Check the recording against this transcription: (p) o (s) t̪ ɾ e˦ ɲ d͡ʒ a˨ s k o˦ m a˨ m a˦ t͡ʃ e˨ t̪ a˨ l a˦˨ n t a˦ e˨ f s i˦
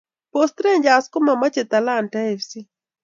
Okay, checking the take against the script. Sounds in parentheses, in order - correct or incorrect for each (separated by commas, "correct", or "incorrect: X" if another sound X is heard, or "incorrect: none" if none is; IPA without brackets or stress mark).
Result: correct, correct